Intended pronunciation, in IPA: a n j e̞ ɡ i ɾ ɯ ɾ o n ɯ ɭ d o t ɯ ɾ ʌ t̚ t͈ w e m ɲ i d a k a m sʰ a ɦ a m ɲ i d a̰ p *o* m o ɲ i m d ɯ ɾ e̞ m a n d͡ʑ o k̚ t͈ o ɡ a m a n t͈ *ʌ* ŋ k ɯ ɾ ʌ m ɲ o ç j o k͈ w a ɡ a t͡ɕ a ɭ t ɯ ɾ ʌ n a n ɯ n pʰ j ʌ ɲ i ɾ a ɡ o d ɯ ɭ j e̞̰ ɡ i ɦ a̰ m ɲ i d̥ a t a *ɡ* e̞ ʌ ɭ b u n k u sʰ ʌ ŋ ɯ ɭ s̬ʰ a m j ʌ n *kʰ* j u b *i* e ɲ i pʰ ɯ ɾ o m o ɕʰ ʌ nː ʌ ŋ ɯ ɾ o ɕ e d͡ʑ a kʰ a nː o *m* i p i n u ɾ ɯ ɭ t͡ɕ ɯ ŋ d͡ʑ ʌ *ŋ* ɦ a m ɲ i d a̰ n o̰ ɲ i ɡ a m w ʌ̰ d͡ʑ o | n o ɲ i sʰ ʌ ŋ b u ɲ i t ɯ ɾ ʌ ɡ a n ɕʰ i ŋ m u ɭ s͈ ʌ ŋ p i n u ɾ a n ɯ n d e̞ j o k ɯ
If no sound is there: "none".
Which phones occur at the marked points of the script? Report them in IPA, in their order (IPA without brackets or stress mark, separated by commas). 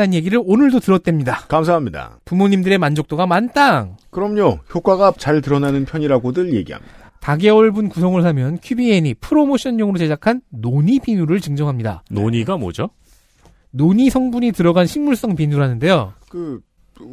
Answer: u, a, ɡ, kʰ, i, ɲ, ŋ